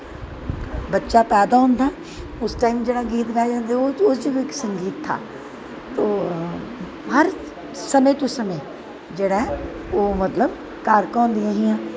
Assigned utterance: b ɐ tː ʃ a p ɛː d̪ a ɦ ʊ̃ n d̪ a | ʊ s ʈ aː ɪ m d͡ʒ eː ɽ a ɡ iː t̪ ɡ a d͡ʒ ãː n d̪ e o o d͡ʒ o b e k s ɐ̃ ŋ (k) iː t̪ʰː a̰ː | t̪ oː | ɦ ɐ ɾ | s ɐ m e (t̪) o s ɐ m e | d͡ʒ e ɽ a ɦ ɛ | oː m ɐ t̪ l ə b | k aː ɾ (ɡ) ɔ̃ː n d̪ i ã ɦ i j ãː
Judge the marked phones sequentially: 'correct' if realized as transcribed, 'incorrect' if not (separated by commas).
incorrect, correct, incorrect